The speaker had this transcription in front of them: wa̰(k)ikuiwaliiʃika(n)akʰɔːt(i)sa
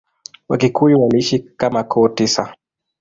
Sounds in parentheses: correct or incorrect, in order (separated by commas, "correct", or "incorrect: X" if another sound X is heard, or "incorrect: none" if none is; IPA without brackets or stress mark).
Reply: correct, incorrect: m, correct